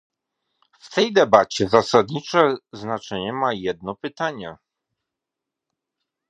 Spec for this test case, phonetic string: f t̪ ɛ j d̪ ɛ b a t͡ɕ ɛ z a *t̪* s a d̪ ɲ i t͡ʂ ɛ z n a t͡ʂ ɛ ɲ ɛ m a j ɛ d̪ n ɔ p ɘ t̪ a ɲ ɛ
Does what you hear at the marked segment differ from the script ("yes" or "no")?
yes